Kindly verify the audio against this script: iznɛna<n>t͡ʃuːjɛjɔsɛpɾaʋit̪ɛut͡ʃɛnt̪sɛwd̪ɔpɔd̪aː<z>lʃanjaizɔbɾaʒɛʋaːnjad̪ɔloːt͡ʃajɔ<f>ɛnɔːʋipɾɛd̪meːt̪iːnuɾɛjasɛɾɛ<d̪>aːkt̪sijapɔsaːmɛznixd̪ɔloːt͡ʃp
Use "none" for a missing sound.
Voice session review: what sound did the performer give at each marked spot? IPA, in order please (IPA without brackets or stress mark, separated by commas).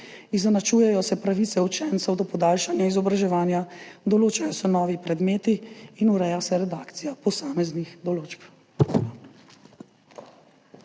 none, none, s, d̪